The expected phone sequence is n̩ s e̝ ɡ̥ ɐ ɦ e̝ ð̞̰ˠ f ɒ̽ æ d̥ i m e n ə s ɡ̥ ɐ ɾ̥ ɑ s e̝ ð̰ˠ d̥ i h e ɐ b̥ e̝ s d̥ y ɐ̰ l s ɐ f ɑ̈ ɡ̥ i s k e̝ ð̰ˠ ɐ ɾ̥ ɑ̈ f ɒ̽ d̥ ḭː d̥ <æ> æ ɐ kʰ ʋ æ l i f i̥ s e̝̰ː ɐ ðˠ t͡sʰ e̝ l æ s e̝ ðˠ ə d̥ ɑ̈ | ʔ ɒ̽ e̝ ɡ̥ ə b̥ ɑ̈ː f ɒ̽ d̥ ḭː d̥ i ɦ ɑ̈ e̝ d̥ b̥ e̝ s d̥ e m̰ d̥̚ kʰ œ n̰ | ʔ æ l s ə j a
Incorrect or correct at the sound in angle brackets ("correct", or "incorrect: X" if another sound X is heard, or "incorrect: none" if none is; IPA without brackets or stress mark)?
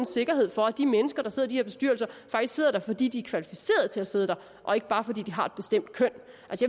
incorrect: i